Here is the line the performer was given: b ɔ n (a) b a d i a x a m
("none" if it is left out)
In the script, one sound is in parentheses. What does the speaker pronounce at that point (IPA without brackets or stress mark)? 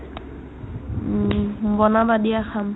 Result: a